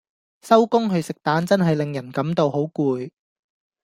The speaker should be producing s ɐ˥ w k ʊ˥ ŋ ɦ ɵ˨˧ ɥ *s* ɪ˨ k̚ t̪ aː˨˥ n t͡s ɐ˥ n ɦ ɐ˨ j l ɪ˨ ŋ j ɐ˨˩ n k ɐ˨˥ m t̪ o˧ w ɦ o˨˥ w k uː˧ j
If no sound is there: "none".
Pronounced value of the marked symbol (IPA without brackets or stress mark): s